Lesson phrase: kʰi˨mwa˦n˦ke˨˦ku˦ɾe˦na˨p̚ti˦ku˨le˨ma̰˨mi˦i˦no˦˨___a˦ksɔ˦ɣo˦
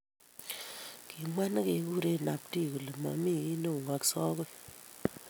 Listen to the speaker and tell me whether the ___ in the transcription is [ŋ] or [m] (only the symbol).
ŋ